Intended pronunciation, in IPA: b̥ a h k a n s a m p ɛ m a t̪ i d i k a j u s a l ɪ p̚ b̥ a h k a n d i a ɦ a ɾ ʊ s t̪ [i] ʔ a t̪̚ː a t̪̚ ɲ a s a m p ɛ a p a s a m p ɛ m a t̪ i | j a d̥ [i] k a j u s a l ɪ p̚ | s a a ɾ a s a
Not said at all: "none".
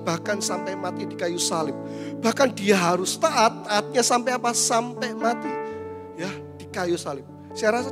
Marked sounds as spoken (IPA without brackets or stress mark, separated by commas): a, i